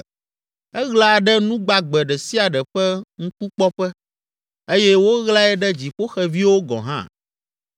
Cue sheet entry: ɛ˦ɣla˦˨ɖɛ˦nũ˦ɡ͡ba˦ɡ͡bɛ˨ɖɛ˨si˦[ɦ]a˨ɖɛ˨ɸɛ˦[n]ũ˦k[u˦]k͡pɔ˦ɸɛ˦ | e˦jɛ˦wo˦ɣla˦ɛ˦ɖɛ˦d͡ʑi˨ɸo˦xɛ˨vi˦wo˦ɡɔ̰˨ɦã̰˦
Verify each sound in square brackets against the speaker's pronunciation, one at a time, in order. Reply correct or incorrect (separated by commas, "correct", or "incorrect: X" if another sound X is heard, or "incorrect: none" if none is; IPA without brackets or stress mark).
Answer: incorrect: none, incorrect: ŋ, correct